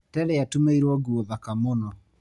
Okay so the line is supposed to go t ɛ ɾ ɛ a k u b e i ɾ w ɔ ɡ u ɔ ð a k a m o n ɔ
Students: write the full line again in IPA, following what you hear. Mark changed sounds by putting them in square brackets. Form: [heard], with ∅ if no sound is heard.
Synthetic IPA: t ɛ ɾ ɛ a [t] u [m] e i ɾ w ɔ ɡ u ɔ ð a k a m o n ɔ